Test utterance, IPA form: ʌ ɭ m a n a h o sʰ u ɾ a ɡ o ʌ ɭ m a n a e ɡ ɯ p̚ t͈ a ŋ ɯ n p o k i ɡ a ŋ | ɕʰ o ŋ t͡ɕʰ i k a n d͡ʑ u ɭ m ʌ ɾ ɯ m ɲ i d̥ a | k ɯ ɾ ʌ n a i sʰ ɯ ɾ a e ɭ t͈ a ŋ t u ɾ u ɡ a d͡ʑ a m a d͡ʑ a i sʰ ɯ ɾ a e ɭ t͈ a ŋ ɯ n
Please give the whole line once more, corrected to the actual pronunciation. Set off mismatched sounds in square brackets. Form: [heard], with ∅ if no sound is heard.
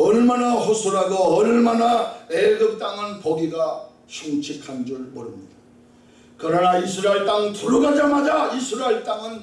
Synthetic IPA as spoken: ʌ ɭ m a n a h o sʰ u ɾ a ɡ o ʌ ɭ m a n a e ɡ ɯ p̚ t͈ a ŋ ɯ n p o [ɡ] i ɡ a [∅] | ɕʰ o ŋ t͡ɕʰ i [kʰ] a n d͡ʑ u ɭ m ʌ ɾ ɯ m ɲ i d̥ a | k ɯ ɾ ʌ n a i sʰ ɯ ɾ a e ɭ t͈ a ŋ t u ɾ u ɡ a d͡ʑ a m a d͡ʑ a i sʰ ɯ ɾ a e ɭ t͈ a ŋ ɯ n